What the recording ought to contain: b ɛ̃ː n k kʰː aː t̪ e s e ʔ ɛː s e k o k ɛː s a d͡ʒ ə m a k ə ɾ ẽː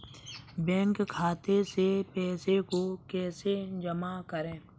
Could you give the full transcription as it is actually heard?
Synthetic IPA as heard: b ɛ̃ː ŋ k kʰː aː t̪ e s e p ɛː s e k o k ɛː s e d͡ʒ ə m a k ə ɾ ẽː